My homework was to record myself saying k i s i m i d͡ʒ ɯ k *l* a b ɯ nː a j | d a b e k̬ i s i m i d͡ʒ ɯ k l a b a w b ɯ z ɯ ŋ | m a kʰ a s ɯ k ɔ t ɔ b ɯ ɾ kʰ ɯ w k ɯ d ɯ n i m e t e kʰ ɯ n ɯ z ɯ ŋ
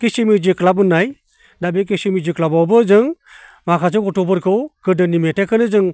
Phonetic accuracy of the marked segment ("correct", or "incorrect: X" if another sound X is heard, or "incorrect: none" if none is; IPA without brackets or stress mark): correct